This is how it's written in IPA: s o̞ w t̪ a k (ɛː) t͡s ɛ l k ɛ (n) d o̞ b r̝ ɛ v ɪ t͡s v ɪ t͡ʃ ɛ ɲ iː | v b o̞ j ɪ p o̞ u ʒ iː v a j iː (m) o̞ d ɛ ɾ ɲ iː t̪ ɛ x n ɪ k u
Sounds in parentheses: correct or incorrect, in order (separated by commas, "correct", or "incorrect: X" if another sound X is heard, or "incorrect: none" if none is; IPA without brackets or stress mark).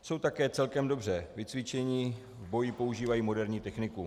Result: correct, incorrect: m, correct